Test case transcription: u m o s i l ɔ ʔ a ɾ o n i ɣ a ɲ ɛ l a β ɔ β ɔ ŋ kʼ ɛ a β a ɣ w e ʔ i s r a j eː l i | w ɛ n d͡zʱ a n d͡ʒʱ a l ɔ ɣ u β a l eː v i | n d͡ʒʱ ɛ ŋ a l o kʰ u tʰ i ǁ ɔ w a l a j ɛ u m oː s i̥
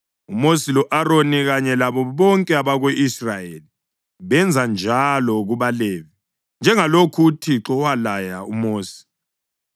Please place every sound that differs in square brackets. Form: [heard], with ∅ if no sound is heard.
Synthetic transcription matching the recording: u m o s i l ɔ ʔ a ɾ o n i ɣ a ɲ ɛ l a β ɔ β ɔ ŋ kʼ ɛ a β a ɣ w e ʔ i s r a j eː l i | [β] ɛ n d͡zʱ a n d͡ʒʱ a l ɔ ɣ u β a l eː v i | n d͡ʒʱ ɛ ŋ a l o kʰ u tʰ i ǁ ɔ w a l a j [a] u m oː s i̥